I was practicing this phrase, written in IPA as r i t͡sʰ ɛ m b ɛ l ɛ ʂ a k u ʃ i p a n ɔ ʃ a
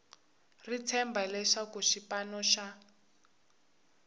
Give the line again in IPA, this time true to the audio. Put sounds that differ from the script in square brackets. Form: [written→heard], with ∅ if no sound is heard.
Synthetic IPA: r i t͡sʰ ɛ m b [ɛ→a] l ɛ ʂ a k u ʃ i p a n ɔ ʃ a